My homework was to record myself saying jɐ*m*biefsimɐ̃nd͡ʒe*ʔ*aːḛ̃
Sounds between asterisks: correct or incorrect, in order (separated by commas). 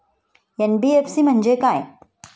incorrect, incorrect